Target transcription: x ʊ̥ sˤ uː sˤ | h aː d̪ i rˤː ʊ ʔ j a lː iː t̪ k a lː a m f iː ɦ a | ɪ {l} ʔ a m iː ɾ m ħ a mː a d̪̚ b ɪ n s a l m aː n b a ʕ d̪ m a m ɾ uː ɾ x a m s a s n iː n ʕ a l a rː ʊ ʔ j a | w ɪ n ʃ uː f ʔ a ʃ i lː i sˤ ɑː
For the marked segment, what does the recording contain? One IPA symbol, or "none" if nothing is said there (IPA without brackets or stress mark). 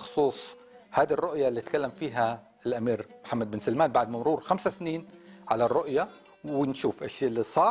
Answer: l